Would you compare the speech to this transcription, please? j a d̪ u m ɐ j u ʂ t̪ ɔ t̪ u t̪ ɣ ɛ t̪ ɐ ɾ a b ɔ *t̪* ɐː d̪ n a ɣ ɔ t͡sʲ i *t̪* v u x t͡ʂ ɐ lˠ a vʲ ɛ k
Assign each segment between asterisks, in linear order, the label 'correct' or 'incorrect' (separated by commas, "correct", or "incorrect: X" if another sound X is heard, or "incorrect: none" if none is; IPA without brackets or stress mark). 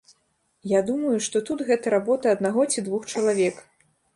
correct, incorrect: d̪